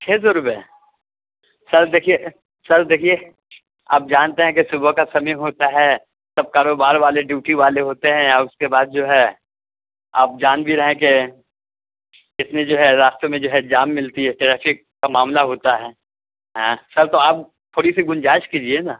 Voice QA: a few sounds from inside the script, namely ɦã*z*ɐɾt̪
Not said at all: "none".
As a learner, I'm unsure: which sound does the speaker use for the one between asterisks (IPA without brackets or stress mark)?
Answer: s